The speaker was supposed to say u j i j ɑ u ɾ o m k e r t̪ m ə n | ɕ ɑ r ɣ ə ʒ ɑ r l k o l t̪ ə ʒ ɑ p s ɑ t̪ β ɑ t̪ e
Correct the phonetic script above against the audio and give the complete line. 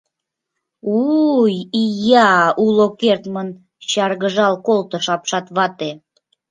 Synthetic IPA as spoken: u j i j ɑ u l o k e r t̪ m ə n | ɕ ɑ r ɣ ə ʒ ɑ l k o l t̪ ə ʃ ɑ p ʃ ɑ t̪ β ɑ t̪ e